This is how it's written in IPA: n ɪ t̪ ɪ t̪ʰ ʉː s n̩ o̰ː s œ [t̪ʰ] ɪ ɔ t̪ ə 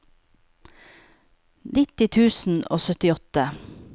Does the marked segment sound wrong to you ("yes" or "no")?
yes